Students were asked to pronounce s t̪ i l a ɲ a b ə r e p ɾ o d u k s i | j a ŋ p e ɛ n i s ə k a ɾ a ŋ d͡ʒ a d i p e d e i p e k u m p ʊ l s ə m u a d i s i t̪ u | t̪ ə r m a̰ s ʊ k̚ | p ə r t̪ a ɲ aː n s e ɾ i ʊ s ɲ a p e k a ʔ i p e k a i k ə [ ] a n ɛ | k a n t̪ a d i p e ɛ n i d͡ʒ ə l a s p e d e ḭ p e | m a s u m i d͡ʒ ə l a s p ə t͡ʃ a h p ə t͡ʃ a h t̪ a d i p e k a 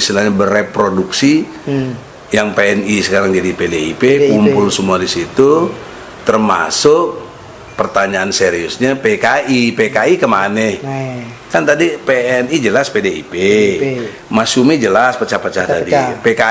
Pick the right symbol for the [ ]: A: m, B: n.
A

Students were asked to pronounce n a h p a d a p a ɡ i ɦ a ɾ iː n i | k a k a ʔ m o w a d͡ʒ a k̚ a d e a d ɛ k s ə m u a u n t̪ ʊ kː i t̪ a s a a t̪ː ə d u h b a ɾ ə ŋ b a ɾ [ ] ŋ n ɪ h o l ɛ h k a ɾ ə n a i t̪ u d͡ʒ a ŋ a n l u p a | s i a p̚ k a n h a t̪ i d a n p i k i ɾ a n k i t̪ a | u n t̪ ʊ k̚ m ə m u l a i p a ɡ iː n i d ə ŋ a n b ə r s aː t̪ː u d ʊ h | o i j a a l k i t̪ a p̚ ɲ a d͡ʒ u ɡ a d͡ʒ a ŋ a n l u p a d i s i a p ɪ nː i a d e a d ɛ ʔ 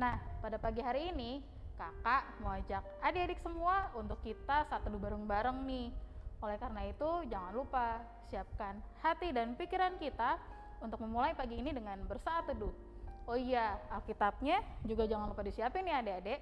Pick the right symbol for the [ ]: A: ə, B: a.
A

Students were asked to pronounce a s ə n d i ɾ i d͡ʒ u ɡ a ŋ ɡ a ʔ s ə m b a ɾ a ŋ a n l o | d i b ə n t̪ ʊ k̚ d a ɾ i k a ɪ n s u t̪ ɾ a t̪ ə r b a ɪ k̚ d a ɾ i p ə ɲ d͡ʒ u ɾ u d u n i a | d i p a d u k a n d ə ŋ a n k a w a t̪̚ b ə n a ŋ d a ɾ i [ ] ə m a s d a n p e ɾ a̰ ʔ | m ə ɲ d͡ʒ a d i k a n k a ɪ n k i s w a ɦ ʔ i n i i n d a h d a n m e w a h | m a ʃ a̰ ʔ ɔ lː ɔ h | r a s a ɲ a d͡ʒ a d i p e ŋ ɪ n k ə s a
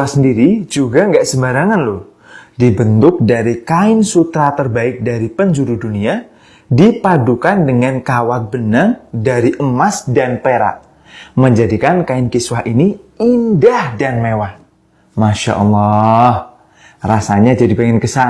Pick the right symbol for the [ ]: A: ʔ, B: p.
A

